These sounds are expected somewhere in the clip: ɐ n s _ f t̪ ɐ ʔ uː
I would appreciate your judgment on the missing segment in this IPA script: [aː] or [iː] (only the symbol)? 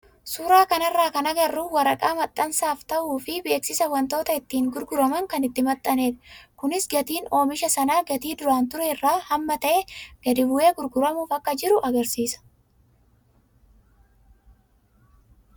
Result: aː